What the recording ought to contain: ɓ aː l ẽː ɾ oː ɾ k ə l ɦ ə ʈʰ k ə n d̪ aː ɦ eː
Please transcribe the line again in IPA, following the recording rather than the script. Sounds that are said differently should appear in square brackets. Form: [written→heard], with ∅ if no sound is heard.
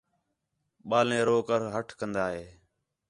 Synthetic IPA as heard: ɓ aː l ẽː ɾ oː [ɾ→∅] k ə [l→ɾ] ɦ ə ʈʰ k ə n d̪ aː ɦ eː

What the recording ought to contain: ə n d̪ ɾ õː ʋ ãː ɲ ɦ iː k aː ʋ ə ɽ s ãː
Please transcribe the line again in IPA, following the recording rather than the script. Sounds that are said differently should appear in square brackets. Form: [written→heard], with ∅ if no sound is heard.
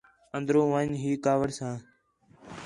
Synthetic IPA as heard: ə n d̪ ɾ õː ʋ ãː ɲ ɦ iː k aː ʋ ə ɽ s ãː

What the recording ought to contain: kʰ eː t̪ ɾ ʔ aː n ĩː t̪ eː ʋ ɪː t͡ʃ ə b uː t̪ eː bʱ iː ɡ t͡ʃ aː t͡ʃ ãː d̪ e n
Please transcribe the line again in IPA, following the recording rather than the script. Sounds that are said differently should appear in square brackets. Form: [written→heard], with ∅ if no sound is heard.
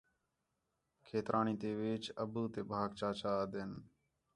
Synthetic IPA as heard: kʰ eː t̪ ɾ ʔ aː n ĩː t̪ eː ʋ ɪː t͡ʃ ə b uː t̪ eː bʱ [iː→aː] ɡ t͡ʃ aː t͡ʃ [ãː→aː] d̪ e n

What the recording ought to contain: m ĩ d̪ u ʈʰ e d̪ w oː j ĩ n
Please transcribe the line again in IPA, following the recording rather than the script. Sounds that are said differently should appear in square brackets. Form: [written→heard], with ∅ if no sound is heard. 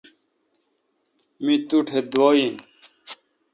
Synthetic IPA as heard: m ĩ [d̪→t̪] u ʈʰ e d̪ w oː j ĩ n

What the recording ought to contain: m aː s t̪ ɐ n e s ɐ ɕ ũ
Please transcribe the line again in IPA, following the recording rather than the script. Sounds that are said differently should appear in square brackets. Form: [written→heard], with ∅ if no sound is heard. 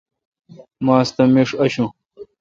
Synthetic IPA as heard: m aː s t̪ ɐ [n→m] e [s→ʂ] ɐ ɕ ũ

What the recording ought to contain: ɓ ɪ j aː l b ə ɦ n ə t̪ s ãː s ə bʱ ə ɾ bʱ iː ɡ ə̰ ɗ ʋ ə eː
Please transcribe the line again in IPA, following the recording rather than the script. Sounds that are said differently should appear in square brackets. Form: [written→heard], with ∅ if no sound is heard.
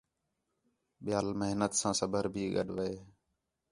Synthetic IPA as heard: ɓ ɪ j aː l [b→m] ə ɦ n ə t̪ s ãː s ə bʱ ə ɾ bʱ iː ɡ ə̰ ɗ ʋ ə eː

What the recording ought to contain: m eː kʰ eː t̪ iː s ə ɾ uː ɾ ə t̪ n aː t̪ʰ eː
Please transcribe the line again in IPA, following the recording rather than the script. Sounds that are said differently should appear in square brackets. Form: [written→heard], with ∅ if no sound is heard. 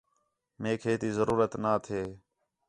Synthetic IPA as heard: m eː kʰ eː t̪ iː [s→z] ə ɾ uː ɾ ə t̪ n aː t̪ʰ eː

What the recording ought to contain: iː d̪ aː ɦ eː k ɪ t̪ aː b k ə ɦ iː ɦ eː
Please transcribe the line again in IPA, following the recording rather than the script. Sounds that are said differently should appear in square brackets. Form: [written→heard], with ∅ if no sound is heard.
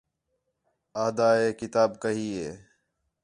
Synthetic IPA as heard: [iː→aː] d̪ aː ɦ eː k ɪ t̪ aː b k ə ɦ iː ɦ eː

